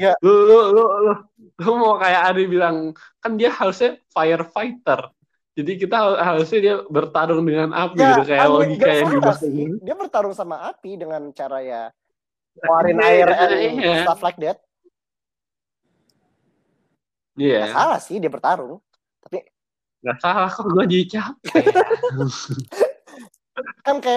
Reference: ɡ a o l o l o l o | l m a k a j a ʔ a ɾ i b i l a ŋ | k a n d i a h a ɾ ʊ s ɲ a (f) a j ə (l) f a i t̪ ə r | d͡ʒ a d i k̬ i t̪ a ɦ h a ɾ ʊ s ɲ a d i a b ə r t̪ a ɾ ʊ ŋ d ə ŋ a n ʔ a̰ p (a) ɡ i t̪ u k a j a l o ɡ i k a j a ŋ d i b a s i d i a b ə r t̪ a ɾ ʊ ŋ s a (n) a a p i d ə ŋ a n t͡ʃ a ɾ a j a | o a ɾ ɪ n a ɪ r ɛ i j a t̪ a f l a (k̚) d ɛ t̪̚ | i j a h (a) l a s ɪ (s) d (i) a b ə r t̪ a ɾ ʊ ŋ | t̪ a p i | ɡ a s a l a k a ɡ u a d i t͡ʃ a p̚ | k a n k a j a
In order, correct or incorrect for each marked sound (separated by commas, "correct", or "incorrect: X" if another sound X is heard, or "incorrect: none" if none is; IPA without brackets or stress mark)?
correct, incorrect: r, incorrect: i, incorrect: m, correct, correct, incorrect: h, correct